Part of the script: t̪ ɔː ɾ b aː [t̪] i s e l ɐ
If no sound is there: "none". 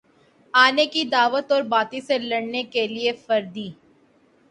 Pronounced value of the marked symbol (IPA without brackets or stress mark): t̪